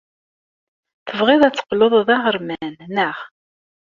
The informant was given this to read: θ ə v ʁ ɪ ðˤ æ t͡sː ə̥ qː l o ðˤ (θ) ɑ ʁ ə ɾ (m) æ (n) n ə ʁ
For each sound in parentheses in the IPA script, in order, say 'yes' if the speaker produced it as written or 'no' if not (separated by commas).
no, yes, yes